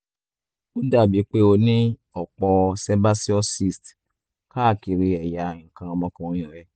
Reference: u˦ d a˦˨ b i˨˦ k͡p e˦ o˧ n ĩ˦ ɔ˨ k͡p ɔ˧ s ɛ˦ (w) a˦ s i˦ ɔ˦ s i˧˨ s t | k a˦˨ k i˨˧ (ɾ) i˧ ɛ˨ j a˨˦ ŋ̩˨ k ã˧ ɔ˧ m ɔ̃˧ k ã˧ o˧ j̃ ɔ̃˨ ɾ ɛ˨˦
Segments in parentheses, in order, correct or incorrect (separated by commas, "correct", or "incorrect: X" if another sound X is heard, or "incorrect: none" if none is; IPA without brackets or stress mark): incorrect: b, correct